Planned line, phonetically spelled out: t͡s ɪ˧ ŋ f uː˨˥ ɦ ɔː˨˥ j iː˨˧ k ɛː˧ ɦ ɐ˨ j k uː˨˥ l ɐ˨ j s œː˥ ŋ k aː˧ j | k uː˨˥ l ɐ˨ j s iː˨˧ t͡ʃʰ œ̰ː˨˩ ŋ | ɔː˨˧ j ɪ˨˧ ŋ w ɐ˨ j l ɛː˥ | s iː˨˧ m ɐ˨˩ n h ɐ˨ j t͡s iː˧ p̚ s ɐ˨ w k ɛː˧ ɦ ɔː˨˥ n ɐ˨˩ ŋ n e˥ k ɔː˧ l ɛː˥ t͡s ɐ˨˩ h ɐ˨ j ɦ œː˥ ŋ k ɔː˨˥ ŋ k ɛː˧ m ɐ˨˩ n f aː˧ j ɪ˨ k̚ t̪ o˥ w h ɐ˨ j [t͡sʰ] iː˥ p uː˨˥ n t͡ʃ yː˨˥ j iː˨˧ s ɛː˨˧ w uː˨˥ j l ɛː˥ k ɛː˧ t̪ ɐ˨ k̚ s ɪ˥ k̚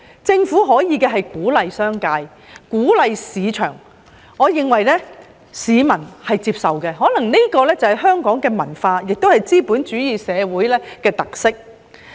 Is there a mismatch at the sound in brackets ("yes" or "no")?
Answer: yes